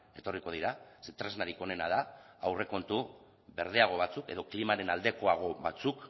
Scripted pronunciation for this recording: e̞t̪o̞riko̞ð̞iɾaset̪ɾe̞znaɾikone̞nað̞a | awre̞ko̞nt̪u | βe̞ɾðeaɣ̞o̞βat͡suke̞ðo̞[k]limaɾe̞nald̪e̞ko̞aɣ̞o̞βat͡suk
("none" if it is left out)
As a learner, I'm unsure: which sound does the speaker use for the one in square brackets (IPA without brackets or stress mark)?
k